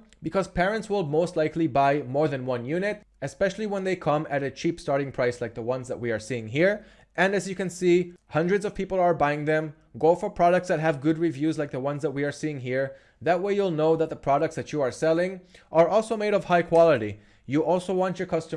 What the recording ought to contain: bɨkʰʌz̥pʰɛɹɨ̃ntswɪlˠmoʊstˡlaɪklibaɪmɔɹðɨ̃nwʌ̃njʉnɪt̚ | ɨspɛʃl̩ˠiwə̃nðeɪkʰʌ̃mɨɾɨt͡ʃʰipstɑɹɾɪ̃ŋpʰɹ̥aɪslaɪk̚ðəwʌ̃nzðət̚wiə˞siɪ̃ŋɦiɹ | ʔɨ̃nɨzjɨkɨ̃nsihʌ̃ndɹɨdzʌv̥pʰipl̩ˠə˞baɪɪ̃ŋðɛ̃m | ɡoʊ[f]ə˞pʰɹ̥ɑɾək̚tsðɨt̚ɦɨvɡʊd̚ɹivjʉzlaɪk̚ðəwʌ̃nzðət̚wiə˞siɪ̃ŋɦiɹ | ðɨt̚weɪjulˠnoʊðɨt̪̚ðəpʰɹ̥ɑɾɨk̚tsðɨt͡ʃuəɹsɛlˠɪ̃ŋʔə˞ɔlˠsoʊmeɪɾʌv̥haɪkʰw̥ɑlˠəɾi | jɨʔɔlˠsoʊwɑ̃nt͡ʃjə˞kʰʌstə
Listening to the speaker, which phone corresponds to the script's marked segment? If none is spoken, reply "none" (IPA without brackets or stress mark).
f